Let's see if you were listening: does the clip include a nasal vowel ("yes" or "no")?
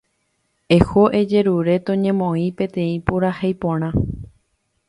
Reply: yes